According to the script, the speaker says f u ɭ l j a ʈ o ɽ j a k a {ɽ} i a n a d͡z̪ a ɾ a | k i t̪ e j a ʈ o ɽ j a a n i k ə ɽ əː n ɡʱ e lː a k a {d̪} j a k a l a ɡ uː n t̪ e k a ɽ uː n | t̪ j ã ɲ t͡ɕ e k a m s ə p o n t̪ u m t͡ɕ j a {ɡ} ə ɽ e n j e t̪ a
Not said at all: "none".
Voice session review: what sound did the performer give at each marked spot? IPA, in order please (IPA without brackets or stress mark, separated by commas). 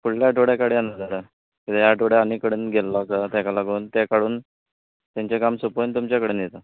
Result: ɽ, t̪, k